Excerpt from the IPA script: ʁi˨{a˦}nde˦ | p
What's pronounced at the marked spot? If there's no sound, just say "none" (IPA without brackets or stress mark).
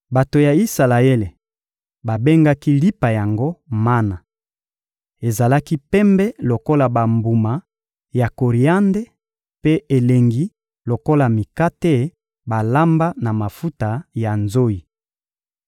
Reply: a˦